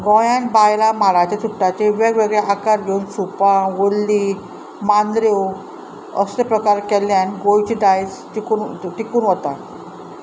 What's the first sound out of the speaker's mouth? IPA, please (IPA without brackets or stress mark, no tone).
ɡ